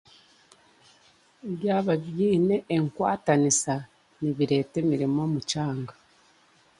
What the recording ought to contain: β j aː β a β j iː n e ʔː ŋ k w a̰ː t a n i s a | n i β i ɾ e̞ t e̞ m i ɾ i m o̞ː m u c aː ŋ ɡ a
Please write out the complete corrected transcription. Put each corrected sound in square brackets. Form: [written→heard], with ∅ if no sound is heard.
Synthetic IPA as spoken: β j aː β a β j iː n e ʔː ŋ k w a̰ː t a n i s a | n i β i ɾ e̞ t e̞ m i ɾ i m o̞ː m u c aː ŋ ɡ a